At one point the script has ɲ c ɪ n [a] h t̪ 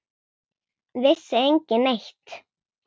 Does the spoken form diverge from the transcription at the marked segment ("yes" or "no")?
yes